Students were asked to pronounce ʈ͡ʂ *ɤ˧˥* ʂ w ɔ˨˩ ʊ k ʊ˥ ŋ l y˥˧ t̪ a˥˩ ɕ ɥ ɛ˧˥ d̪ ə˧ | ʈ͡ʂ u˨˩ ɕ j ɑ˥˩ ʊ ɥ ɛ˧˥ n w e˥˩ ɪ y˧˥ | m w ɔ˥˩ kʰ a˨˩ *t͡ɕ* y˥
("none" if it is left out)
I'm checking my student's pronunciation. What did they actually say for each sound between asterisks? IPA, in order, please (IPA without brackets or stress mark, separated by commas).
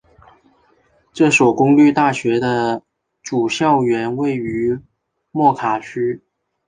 ɤ˥˩, t͡ɕʰ